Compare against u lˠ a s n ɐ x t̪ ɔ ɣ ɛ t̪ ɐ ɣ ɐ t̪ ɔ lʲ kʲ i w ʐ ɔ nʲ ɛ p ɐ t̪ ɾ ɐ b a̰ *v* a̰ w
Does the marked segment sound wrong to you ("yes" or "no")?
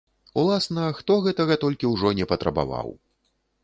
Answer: no